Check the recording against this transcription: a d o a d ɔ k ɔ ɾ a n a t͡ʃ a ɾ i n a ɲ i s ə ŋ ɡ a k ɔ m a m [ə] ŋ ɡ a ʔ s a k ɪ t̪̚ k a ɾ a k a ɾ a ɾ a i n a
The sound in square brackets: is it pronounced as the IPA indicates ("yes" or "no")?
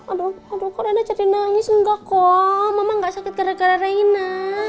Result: no